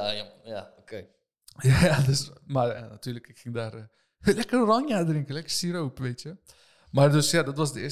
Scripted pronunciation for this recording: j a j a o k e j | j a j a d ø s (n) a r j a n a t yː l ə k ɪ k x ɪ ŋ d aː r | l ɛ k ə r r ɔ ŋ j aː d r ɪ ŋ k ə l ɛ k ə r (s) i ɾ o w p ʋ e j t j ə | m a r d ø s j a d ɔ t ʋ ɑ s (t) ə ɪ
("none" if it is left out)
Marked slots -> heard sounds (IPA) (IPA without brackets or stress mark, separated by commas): m, s, d